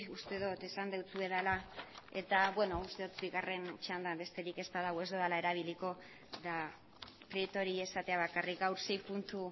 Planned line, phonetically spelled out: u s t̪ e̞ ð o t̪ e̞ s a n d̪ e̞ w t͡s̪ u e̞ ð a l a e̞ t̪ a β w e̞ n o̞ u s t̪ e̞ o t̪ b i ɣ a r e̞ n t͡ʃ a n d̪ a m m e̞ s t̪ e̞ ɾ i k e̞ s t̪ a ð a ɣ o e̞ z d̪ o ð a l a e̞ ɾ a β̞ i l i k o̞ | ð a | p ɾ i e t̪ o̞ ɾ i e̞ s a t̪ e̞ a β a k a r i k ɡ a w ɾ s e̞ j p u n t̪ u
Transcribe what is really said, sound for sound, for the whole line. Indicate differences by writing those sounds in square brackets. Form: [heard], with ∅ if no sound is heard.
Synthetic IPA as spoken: u s t̪ e̞ ð o t̪ e̞ s a n d̪ e̞ w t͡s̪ u e̞ ð a l a e̞ t̪ a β w e̞ n o̞ u s t̪ e̞ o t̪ b i ɣ a r e̞ n t͡ʃ a n d̪ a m [b] e̞ s t̪ e̞ ɾ i k e̞ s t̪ a ð a ɣ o e̞ z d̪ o ð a l a e̞ ɾ a β̞ i l i k o̞ | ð a | p ɾ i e t̪ o̞ ɾ i e̞ s a t̪ e̞ a β a k a r i k ɡ a w ɾ s e̞ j p u n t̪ u